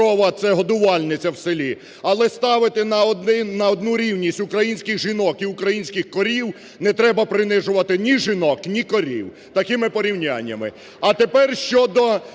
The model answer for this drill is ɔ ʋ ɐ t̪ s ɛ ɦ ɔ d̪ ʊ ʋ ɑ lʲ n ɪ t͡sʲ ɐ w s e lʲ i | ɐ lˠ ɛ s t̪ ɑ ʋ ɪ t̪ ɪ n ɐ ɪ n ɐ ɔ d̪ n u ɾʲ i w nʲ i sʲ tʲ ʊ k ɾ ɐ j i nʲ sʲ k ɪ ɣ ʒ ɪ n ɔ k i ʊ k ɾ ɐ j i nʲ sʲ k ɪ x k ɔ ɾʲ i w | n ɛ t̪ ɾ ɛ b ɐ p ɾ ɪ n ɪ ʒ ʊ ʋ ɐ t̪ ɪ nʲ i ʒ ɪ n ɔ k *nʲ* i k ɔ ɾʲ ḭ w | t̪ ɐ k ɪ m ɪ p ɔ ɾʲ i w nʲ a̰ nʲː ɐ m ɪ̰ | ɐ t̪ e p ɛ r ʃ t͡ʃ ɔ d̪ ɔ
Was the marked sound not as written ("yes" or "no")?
no